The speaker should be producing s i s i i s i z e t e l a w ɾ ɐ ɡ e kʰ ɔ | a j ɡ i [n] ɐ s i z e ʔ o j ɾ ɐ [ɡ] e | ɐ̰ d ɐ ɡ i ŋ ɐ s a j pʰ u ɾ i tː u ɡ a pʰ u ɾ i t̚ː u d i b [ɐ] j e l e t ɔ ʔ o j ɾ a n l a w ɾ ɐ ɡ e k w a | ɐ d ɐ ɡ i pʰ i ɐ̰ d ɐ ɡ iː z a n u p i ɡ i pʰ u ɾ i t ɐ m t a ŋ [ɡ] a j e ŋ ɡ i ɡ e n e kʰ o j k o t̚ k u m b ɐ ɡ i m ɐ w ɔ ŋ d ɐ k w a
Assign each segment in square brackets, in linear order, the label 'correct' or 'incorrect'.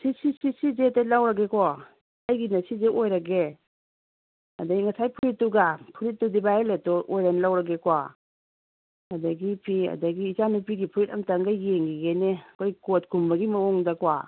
correct, correct, incorrect: a, correct

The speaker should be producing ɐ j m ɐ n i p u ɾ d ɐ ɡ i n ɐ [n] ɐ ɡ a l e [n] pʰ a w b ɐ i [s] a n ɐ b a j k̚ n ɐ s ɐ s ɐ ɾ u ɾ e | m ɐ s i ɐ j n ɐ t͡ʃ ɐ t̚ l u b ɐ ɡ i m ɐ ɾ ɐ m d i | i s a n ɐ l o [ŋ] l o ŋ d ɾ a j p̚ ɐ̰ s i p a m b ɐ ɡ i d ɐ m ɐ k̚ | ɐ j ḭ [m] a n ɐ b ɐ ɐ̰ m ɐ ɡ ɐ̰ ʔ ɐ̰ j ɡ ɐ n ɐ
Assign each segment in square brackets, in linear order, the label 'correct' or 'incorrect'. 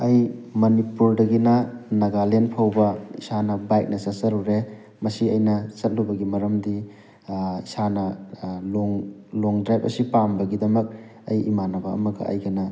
correct, correct, correct, correct, correct

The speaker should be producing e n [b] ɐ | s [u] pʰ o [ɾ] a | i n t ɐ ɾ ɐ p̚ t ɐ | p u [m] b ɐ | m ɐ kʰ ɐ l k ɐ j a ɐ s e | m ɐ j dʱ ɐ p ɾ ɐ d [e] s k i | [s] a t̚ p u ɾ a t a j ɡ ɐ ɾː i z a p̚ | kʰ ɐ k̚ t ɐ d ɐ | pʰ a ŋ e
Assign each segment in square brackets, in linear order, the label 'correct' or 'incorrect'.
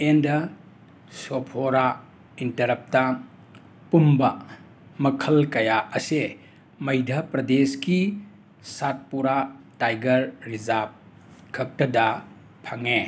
incorrect: d, incorrect: o, correct, correct, correct, correct

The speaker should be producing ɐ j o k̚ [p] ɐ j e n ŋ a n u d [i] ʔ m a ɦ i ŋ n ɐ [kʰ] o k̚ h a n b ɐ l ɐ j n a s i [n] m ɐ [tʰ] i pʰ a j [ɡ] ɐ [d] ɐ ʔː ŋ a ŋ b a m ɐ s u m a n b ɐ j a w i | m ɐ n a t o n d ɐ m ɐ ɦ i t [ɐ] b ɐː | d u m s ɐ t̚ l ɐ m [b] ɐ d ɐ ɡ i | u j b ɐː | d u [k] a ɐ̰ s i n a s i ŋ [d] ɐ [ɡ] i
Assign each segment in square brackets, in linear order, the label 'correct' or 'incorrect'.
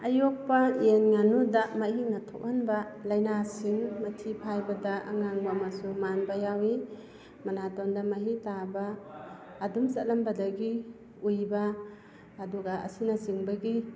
correct, incorrect: a, incorrect: tʰ, incorrect: ŋ, correct, incorrect: b, correct, incorrect: a, correct, incorrect: ɡ, incorrect: b, correct

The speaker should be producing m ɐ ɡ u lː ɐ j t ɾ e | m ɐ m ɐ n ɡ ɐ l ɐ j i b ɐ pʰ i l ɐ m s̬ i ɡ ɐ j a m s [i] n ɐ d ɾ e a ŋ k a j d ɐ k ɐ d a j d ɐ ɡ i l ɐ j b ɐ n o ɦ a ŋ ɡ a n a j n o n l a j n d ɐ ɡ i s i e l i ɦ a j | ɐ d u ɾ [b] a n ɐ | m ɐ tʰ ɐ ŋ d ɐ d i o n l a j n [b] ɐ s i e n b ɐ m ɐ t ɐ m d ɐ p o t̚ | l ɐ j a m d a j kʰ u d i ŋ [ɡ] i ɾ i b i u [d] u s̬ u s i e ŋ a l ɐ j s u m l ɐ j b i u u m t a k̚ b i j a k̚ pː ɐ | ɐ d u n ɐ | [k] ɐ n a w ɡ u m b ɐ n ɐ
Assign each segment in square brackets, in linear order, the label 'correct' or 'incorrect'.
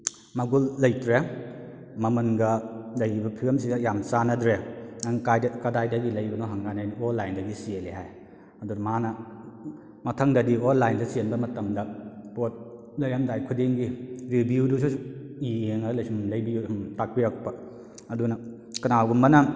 incorrect: a, incorrect: m, incorrect: d, correct, correct, correct

